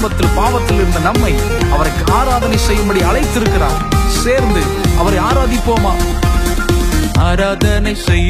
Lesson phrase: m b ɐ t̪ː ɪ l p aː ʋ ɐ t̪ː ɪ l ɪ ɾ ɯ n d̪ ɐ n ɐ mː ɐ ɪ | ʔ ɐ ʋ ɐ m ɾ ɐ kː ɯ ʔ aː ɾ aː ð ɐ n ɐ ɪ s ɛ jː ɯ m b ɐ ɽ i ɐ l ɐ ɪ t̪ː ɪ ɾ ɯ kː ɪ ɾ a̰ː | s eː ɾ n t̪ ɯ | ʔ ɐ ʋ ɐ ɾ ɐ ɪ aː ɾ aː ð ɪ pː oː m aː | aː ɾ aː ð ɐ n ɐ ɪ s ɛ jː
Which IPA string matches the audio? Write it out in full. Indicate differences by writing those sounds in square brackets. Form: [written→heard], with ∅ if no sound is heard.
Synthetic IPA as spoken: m b ɐ t̪ː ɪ l p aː ʋ ɐ t̪ː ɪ l ɪ ɾ ɯ n d̪ ɐ n ɐ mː ɐ ɪ | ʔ ɐ ʋ ɐ [m→∅] ɾ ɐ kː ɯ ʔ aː ɾ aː ð ɐ n ɐ ɪ s ɛ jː ɯ m b ɐ ɽ i ɐ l ɐ ɪ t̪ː ɪ ɾ ɯ kː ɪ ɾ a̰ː | s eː ɾ n [t̪→d̪] ɯ | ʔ ɐ ʋ ɐ ɾ ɐ ɪ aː ɾ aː ð ɪ pː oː m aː | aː ɾ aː ð ɐ n ɐ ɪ s ɛ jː